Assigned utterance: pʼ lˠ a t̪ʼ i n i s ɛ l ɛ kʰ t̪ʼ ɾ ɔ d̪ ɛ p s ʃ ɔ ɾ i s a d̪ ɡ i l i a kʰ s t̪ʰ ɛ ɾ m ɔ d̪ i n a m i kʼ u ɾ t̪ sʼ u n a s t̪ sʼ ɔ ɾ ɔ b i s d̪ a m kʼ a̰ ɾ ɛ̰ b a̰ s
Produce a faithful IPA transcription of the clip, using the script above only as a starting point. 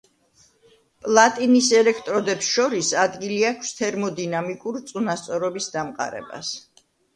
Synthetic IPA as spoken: pʼ lˠ a t̪ʼ i n i s ɛ l ɛ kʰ t̪ʼ ɾ ɔ d̪ ɛ p s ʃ ɔ ɾ i s a d̪ ɡ i l i a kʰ s t̪ʰ ɛ ɾ m ɔ d̪ i n a m i kʼ u ɾ t̪ sʼ u n a s t̪ sʼ ɔ ɾ ɔ b i s d̪ a m qʼ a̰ ɾ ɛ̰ b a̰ s